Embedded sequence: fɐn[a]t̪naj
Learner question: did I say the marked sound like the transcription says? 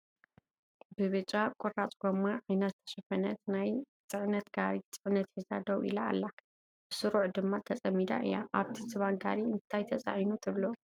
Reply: no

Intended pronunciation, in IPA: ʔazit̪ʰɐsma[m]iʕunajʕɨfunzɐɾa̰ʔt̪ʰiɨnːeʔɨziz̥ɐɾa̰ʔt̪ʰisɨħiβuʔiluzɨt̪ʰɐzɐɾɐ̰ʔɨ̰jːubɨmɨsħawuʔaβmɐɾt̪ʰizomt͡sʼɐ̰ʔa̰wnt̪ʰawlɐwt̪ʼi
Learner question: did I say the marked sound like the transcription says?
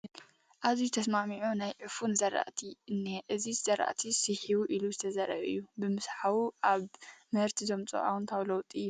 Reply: yes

